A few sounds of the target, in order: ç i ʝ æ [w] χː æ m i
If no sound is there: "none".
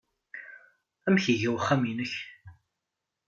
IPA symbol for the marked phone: w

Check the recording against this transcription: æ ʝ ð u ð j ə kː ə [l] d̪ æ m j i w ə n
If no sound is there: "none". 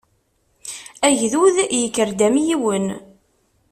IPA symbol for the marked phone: ɾ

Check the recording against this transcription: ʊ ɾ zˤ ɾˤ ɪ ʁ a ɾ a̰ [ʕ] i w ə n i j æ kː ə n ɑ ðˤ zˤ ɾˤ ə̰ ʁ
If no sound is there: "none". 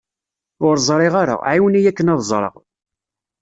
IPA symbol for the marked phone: ʕ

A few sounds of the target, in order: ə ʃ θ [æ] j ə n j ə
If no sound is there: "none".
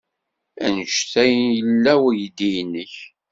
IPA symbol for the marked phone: æ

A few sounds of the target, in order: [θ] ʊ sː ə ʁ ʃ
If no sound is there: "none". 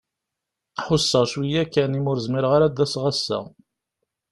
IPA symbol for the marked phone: ħ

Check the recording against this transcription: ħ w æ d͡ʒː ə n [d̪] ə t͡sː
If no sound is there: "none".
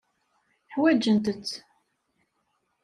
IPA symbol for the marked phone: t̪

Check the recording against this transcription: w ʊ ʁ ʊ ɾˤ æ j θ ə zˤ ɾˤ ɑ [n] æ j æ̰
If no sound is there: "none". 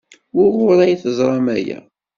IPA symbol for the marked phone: m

